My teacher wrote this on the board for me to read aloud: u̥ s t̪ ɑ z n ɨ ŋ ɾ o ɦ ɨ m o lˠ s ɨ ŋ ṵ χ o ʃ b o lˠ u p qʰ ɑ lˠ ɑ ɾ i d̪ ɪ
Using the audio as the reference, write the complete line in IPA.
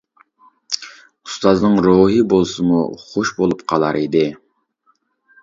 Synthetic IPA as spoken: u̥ s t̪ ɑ z n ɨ ŋ ɾ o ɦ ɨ b o lˠ s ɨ m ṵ χ o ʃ b o lˠ u p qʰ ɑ lˠ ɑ ɾ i d̪ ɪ

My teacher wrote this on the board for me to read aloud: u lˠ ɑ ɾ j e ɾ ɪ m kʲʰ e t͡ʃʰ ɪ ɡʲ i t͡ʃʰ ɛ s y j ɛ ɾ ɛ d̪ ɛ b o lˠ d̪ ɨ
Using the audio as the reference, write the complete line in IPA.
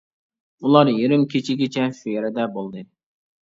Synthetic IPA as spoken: u lˠ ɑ ɾ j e ɾ ɪ m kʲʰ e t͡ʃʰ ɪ ɡʲ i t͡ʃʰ ɛ ʃ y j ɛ ɾ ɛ d̪ ɛ b o lˠ d̪ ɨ

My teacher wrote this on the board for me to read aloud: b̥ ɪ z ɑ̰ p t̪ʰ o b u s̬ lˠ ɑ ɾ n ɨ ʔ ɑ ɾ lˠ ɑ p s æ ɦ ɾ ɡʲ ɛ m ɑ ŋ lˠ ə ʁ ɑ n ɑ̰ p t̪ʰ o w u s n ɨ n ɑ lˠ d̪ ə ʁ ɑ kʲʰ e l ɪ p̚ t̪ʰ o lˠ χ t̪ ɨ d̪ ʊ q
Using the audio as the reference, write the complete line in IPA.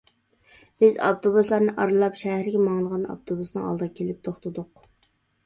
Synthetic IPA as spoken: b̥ ɪ z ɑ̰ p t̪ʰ o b u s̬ lˠ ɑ ɾ n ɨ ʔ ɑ ɾ lˠ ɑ p ʃ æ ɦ ɾ ɡʲ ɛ m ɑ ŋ lˠ ə ʁ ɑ n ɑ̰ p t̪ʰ o b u s n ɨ ŋ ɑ lˠ d̪ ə ʁ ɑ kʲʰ e l ɪ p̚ t̪ʰ o χ t̪ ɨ d̪ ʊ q

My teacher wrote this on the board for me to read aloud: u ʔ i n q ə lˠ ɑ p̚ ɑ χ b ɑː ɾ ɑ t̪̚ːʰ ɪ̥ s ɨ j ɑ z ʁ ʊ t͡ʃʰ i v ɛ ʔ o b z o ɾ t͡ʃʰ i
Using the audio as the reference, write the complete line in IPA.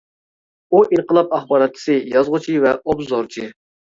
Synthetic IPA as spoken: u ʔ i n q ə lˠ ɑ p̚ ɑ χ b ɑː ɾ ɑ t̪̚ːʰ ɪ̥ s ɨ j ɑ z ʁ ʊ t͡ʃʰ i v ɛ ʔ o b z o ɾ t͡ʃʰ i

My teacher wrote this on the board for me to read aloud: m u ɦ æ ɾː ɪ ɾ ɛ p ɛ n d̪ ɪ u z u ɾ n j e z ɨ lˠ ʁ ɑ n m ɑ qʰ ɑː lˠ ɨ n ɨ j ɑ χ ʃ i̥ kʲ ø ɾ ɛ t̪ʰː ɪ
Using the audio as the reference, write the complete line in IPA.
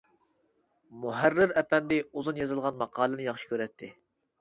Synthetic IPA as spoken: m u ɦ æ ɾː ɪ ɾ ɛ p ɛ n d̪ ɪ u z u n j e z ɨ lˠ ʁ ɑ n m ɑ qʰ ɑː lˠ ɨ n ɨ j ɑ χ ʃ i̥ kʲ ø ɾ ɛ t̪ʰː ɪ

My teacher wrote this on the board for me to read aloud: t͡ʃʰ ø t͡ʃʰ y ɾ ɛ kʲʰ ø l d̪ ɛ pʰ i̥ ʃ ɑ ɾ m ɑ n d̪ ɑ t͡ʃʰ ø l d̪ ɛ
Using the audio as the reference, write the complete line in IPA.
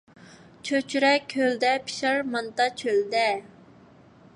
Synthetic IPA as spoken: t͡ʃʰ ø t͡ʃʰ y ɾ ɛ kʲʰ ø l d̪ ɛ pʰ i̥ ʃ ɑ ɾ m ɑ n t̪ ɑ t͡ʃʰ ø l d̪ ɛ

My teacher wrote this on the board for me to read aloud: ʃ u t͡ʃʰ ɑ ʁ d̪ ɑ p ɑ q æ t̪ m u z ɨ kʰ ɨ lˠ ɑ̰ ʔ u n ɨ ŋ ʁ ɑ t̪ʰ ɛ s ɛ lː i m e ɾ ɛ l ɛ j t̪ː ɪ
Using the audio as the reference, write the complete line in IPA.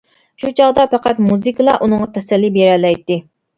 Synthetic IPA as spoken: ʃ u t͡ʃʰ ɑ ʁ d̪ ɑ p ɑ q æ t̪ m u z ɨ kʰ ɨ lˠ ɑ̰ ʔ u n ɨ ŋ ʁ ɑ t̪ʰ ɛ s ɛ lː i b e ɾ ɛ l ɛ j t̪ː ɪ

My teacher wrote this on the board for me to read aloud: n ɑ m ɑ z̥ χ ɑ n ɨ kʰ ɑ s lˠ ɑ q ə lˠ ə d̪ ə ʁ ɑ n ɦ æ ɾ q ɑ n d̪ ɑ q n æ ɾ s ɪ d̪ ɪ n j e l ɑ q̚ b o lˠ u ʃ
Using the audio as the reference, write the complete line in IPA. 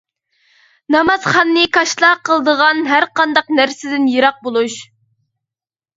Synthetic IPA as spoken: n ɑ m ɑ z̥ χ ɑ nː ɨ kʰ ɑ ʃ lˠ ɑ q ə lˠ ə d̪ ə ʁ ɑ n ɦ æ ɾ q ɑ n d̪ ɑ q n æ ɾ s ɪ d̪ ɪ n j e ɾ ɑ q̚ b o lˠ u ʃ

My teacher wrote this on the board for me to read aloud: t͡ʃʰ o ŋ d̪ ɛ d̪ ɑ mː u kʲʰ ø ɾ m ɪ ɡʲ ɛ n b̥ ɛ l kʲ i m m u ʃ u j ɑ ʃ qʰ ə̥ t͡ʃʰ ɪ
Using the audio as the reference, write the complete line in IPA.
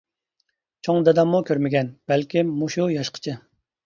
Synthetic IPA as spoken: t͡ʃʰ o ŋ d̪ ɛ d̪ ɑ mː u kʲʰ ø ɾ m ɪ ɡʲ ɛ n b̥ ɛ l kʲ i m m u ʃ u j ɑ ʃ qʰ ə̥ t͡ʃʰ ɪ

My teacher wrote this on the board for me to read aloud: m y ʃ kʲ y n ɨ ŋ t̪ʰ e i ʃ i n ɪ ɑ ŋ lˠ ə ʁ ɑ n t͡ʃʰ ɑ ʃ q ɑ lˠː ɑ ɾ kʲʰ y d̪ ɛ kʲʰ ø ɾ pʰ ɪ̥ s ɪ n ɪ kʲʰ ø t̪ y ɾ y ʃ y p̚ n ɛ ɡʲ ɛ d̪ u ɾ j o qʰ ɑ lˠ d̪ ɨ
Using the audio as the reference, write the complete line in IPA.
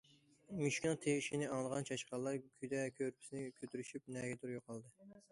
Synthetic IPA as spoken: m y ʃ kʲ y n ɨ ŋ t̪ʰ e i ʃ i n ɪ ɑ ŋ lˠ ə ʁ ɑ n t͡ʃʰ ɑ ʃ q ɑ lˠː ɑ ɾ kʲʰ y d̪ ɛ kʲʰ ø ɾ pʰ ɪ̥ s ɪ n ɪ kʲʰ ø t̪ y ɾ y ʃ y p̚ n ɛ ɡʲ ɛ d̪ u ɾ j o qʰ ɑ lˠ d̪ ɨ

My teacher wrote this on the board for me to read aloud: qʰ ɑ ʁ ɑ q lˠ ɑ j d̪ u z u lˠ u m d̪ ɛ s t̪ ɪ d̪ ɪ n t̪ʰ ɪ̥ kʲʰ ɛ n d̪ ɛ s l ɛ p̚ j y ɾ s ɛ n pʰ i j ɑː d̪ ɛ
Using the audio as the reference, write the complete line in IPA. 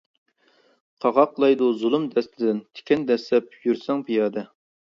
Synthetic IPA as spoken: qʰ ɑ ʁ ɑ q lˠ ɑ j d̪ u z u lˠ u m d̪ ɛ s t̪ ɪ d̪ ɪ n t̪ʰ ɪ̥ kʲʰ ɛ n d̪ ɛ s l ɛ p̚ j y ɾ s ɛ ŋ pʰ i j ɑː d̪ ɛ

